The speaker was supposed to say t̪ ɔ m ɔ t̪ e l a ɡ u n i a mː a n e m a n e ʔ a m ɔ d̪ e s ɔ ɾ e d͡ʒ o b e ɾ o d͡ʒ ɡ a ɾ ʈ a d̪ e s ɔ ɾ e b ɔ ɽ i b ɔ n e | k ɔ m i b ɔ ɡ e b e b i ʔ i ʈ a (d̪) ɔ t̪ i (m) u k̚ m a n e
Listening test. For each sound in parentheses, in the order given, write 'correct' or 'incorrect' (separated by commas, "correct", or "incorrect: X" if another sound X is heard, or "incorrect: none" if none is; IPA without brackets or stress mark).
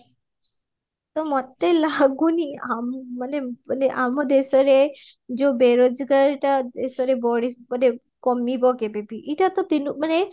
incorrect: t̪, incorrect: n